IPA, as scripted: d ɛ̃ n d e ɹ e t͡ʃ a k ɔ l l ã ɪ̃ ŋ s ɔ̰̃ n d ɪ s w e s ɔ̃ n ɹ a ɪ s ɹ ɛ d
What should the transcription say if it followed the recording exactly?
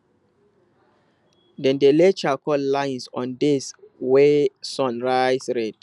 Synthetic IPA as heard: d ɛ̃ n d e l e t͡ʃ a k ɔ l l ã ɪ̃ n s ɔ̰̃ n d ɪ s w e s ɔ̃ n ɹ a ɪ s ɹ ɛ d